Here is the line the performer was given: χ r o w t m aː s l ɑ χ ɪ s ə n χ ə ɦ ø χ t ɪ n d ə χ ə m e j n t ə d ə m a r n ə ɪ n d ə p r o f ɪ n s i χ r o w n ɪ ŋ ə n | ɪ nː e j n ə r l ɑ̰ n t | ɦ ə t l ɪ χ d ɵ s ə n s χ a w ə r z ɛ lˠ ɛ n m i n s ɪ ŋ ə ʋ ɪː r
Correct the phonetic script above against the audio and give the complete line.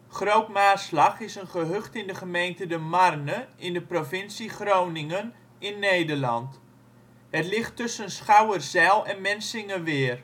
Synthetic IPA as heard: χ r o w t m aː s l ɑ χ ɪ s ə n χ ə ɦ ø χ t ɪ n d ə χ ə m e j n t ə d ə m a r n ə ɪ n d ə p r o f ɪ n s i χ r o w n ɪ ŋ ə n | ɪ nː e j d ə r l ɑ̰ n t | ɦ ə t l ɪ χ t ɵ s ə n s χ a w ə r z ɛ lˠ ɛ n m ɛ n s ɪ ŋ ə ʋ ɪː r